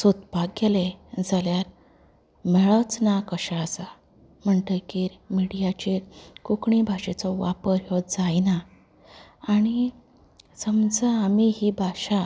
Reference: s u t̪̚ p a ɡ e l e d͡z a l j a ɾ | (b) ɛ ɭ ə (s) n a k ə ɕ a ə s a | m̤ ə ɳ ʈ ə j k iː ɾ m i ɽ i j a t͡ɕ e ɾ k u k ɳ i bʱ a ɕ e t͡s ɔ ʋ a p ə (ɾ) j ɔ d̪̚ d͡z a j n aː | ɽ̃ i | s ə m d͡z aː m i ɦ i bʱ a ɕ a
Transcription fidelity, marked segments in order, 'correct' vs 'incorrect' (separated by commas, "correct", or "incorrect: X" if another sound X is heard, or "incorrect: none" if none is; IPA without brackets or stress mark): incorrect: m, incorrect: t͡s, correct